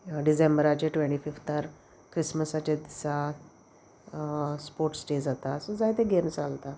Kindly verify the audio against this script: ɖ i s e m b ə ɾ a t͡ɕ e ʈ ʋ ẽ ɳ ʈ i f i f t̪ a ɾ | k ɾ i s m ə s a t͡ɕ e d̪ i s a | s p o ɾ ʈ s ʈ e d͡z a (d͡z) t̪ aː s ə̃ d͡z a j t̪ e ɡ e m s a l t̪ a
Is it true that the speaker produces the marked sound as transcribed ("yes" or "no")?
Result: no